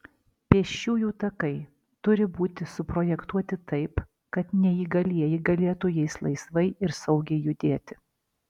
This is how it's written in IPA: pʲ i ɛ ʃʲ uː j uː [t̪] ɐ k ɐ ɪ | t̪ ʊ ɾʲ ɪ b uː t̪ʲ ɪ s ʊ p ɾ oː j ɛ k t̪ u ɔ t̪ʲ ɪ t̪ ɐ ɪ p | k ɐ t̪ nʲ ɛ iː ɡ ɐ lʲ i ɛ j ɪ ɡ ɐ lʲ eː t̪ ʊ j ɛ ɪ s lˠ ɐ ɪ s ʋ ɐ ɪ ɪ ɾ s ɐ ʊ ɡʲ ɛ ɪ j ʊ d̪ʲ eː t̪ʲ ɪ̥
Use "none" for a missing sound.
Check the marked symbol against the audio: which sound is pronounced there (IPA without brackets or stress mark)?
t̪